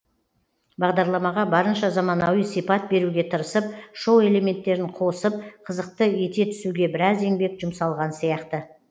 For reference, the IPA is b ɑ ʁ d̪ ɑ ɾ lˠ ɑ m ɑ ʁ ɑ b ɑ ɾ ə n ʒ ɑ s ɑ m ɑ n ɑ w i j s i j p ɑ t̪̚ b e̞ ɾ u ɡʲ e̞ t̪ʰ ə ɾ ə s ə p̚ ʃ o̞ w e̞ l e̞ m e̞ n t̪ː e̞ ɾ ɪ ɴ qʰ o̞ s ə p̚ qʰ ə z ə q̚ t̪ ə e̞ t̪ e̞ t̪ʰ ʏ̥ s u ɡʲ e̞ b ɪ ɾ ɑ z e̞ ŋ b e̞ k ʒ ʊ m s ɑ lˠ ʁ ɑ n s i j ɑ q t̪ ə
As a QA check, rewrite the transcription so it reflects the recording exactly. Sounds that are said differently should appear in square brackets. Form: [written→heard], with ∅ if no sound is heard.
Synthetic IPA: b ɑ ʁ d̪ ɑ ɾ lˠ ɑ m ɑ ʁ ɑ b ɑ ɾ ə n [ʒ→ʃ] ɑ [s→z] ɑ m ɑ n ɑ w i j s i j p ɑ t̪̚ b e̞ ɾ u ɡʲ e̞ t̪ʰ ə ɾ ə s ə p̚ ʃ o̞ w e̞ l e̞ m e̞ n t̪ː e̞ ɾ ɪ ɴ qʰ o̞ s ə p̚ qʰ ə z ə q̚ t̪ ə e̞ t̪ e̞ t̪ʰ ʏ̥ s u ɡʲ e̞ b ɪ ɾ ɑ z e̞ ŋ b e̞ k ʒ ʊ m s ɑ lˠ ʁ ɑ n s i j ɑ q t̪ ə